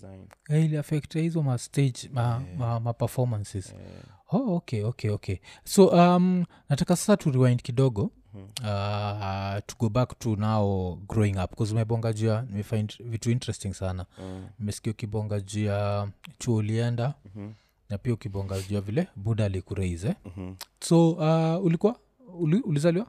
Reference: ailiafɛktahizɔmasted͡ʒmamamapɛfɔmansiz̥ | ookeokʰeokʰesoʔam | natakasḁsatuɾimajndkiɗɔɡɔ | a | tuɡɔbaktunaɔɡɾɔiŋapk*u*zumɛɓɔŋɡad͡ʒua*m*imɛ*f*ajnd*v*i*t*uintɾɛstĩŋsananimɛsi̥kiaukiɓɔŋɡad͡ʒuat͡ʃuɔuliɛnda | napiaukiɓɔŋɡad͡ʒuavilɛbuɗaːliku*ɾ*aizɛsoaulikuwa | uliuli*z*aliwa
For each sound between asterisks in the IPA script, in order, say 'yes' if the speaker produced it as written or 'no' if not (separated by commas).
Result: no, no, yes, yes, yes, yes, yes